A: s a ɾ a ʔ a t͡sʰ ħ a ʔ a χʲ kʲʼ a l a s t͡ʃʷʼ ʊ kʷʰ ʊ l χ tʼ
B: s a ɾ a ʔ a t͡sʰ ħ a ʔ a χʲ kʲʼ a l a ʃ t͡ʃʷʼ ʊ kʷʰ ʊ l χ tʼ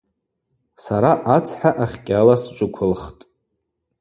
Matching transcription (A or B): A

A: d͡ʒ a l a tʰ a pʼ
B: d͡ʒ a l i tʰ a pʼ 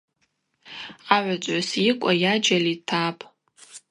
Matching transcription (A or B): B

